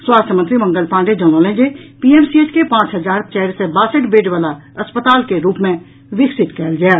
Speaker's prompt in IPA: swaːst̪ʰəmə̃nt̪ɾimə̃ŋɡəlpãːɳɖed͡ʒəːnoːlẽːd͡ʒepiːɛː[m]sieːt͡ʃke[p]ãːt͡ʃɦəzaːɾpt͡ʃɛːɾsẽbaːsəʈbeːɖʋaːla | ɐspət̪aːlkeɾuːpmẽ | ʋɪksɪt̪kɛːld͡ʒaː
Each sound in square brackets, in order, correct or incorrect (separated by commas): correct, correct